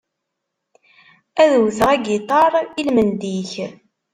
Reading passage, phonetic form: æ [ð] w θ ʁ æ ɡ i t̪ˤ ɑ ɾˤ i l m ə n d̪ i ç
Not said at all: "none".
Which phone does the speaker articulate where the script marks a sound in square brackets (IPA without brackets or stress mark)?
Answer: ð